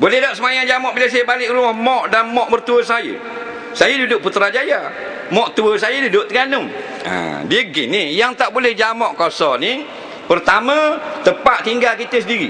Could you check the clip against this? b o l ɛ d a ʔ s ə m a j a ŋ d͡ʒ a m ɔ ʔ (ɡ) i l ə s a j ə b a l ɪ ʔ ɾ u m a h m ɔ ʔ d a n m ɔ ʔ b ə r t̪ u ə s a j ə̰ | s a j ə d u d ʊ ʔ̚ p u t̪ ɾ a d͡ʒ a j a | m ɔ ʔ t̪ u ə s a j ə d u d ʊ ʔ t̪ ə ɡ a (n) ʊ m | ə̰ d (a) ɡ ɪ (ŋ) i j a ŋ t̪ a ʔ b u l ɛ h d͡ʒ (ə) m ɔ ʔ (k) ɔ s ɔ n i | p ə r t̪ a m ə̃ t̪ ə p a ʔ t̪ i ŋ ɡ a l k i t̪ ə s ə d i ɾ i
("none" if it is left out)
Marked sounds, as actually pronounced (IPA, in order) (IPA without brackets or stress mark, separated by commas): b, n, i, n, a, k